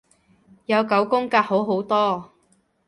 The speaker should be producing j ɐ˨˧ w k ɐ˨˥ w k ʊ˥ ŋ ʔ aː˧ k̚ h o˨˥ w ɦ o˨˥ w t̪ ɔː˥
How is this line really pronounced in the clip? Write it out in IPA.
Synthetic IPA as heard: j ɐ˨˧ w k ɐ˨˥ w k ʊ˥ ŋ k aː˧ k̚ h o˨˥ w ɦ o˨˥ w t̪ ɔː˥